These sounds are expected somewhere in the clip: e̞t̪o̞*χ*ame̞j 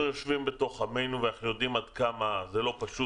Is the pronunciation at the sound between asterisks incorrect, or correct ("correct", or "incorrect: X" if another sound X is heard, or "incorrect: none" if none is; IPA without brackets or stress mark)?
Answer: correct